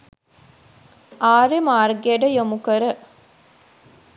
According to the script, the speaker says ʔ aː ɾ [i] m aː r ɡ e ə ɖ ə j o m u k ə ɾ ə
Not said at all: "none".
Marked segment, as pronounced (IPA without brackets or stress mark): e